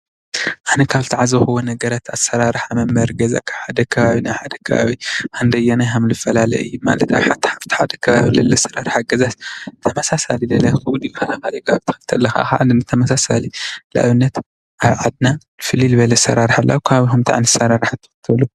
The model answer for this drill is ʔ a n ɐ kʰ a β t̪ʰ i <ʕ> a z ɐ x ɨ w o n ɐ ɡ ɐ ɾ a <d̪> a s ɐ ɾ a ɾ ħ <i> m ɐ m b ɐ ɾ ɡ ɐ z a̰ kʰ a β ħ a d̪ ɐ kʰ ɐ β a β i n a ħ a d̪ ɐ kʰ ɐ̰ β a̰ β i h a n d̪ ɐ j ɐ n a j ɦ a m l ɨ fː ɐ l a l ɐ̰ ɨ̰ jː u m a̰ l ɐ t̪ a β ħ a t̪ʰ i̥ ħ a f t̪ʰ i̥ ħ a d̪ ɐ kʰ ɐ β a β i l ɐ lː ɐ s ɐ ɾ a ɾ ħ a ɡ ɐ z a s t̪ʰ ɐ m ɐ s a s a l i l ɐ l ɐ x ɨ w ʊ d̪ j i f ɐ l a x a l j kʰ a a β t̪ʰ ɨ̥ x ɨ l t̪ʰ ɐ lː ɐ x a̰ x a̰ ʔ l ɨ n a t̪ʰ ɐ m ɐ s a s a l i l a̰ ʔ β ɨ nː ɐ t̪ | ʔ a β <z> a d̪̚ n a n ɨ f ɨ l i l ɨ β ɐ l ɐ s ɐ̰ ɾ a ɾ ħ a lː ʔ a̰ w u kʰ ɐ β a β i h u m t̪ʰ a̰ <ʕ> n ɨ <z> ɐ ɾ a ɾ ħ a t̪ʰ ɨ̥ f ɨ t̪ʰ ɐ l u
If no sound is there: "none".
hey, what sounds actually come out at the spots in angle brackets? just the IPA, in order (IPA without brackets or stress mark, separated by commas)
ʕ, t̪, a, ʕ, ʕ, s